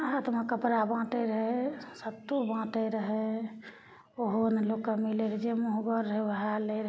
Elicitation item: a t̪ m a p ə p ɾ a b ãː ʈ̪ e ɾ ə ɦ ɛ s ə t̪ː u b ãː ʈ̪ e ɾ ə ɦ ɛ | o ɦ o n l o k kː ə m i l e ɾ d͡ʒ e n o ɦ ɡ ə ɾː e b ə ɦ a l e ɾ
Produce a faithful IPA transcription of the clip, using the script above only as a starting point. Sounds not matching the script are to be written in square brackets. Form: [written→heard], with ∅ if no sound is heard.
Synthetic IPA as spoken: a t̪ m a [p→k] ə p ɾ a b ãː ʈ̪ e ɾ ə ɦ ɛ s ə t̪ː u b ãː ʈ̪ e ɾ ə ɦ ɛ | o ɦ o n l o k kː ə m i l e ɾ d͡ʒ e [n→m] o ɦ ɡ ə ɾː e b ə ɦ a l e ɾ

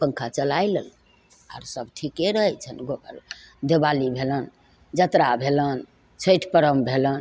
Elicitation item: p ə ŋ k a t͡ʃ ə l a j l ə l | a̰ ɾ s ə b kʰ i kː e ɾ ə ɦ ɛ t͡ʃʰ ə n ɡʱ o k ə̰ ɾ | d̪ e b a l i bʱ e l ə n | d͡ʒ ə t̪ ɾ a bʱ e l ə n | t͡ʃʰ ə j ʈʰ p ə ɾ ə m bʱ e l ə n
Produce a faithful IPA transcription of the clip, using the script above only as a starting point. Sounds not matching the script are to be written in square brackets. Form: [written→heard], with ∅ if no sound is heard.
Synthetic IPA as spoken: p ə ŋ [k→kʰ] a t͡ʃ ə l a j l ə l | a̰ ɾ s ə b [kʰ→ʈʰ] i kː e ɾ ə ɦ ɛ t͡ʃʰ ə n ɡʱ o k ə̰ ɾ | d̪ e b a l i bʱ e l ə n | d͡ʒ ə t̪ ɾ a bʱ e l ə n | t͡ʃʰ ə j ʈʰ p ə ɾ ə m bʱ e l ə n

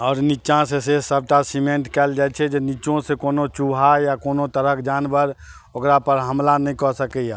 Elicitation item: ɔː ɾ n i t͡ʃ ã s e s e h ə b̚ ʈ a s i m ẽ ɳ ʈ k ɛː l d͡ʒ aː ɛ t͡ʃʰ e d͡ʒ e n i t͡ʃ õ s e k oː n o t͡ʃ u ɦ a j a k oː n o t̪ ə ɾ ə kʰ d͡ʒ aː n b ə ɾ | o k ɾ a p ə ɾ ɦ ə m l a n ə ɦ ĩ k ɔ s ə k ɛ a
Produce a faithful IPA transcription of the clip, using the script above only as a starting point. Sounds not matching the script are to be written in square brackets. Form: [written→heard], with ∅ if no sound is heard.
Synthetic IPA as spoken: ɔː ɾ n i t͡ʃ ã s e s e [h→s] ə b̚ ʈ a s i m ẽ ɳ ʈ k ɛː l d͡ʒ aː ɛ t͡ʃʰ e d͡ʒ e n i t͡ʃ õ s e k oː n o t͡ʃ u ɦ a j a k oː n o t̪ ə ɾ ə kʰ d͡ʒ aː n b ə ɾ | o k ɾ a p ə ɾ ɦ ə m l a n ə ɦ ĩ k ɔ s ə k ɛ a

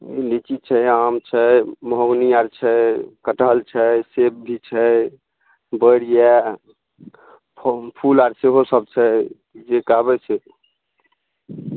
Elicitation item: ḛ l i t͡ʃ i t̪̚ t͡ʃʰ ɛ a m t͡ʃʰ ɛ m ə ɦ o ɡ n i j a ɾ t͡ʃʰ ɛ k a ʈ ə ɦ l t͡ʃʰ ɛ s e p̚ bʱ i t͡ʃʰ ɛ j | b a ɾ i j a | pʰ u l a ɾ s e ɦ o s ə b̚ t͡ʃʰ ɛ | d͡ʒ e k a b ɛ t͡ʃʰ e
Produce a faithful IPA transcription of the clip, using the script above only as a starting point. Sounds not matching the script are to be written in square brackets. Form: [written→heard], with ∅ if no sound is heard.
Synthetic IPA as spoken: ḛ l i t͡ʃ i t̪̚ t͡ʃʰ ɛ a m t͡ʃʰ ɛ m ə ɦ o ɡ n i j a ɾ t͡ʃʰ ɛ k [a→ə] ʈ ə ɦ l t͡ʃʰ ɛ s e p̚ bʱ i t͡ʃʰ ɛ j | b [a→ə] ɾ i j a | pʰ u l a ɾ s e ɦ o s ə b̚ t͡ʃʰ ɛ | d͡ʒ e k a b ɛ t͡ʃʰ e

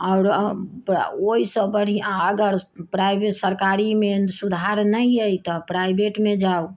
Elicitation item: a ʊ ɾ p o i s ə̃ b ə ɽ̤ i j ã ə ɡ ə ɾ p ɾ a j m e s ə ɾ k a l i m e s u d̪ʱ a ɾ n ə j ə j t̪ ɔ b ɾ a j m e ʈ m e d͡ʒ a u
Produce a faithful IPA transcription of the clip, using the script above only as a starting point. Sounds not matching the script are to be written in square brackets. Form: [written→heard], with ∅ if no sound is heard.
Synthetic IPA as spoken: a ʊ ɾ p o i s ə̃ b ə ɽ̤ i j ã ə ɡ ə ɾ p ɾ a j [m→b] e s ə ɾ k a [l→ɾ] i m e s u d̪ʱ a ɾ n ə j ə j t̪ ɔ [b→p] ɾ a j [m→b] e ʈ m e d͡ʒ a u

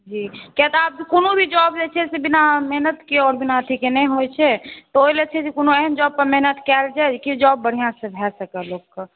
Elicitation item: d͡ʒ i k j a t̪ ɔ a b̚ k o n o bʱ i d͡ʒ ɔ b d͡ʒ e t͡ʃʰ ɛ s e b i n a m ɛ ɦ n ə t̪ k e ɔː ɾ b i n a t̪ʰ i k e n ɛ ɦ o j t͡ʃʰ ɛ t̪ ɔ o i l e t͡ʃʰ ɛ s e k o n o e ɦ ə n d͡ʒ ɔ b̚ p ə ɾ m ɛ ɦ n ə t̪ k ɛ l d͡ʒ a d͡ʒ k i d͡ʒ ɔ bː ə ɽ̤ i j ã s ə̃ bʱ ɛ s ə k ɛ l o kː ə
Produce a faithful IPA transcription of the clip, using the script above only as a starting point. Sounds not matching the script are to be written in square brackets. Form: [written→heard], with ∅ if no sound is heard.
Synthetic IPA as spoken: d͡ʒ i k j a t̪ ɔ a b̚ k o n o bʱ i d͡ʒ ɔ b d͡ʒ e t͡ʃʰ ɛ s e b i n a m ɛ ɦ n ə t̪ k e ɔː ɾ b i n a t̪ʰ i k e n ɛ ɦ o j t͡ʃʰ ɛ t̪ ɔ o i l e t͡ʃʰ ɛ s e k o n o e ɦ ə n d͡ʒ ɔ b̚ p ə ɾ m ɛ ɦ n ə t̪ k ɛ l d͡ʒ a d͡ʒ k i d͡ʒ ɔ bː ə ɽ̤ i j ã s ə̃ bʱ ɛ s ə k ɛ l o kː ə

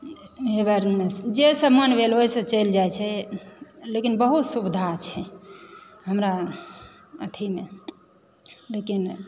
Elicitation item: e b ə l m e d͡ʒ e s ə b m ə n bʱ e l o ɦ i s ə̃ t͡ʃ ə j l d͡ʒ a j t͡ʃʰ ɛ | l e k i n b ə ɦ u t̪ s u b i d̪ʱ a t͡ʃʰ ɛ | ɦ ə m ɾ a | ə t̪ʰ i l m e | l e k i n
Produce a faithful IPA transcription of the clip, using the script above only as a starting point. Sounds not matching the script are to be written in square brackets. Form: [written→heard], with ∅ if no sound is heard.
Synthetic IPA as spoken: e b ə [l→ɾ] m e d͡ʒ e s ə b m ə n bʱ e l o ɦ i s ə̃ t͡ʃ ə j l d͡ʒ a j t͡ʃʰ ɛ | l e k i n b ə ɦ u t̪ s u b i d̪ʱ a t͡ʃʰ ɛ | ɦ ə m ɾ a | ə t̪ʰ i [l→∅] m e | l e k i n

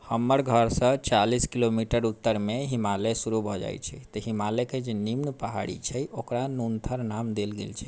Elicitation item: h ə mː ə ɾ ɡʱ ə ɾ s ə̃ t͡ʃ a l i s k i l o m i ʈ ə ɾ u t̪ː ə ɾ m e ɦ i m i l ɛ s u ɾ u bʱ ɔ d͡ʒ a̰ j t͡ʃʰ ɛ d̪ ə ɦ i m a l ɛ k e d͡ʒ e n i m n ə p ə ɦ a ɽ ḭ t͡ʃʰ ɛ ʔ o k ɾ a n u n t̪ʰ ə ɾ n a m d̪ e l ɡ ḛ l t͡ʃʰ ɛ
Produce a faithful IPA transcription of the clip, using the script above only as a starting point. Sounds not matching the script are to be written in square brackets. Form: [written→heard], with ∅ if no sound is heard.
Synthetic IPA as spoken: h ə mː ə ɾ ɡʱ ə ɾ s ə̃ t͡ʃ a l i s k i l o m i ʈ ə ɾ u t̪ː ə ɾ m e ɦ i m [i→a] l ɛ s u ɾ u bʱ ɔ d͡ʒ a̰ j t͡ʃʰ ɛ [d̪→t̪] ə ɦ i m a l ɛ k e d͡ʒ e n i m n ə p ə ɦ a ɽ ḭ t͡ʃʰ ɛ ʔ o k ɾ a n u n t̪ʰ ə ɾ n a m d̪ e l ɡ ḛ l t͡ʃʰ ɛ

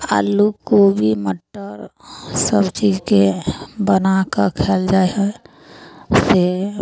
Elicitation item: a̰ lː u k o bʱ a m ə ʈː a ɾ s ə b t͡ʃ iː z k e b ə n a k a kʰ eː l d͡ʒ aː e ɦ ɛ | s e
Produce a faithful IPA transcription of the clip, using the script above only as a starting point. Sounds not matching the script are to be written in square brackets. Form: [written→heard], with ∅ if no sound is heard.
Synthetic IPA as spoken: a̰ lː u k o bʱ [a→i] m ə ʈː [a→ə] ɾ s ə b t͡ʃ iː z k e b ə n a k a kʰ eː l d͡ʒ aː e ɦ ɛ | s e

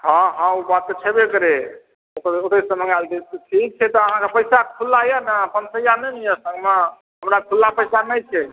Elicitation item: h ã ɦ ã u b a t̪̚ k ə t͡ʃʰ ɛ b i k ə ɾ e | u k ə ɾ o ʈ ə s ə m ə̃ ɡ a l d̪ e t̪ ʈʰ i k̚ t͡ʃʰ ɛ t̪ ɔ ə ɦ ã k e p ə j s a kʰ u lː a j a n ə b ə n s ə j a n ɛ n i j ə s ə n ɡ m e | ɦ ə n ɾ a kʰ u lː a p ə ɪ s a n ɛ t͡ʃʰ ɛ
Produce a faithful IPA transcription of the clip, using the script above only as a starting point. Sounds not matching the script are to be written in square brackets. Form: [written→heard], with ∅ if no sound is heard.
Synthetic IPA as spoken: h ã ɦ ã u b a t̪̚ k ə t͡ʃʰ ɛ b [i→e] k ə ɾ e | [u→o] k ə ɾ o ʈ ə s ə m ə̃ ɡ a l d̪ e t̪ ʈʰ i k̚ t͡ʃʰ ɛ t̪ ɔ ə ɦ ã k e p ə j s a kʰ u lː a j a n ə [b→p] ə n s ə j a n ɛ n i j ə s ə [n→ŋ] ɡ m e | ɦ ə [n→m] ɾ a kʰ u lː a p ə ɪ s a n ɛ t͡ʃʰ ɛ

